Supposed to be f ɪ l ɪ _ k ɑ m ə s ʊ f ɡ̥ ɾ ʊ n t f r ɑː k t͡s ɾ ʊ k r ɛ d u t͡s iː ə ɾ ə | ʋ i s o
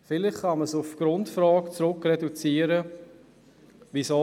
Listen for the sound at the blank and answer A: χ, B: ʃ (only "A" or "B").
A